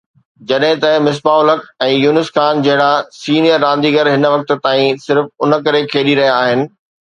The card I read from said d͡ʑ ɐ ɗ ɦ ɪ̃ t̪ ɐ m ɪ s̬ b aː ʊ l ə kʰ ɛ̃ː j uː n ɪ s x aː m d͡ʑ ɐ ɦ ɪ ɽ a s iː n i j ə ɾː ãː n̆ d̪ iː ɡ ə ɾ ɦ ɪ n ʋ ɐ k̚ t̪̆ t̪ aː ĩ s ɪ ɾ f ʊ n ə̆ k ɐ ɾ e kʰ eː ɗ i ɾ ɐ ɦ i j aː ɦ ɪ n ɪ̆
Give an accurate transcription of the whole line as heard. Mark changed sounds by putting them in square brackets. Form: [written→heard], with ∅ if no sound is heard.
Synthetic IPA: d͡ʑ ɐ ɗ ɦ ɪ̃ t̪ ɐ m ɪ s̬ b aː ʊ l ə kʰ ɛ̃ː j uː n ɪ s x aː [m→n] d͡ʑ ɐ ɦ ɪ ɽ a s iː n i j ə ɾː ãː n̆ d̪ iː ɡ ə ɾ ɦ ɪ n ʋ ɐ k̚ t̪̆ t̪ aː ĩ s ɪ ɾ f ʊ n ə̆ k ɐ ɾ e kʰ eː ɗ i ɾ ɐ ɦ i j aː ɦ ɪ n ɪ̆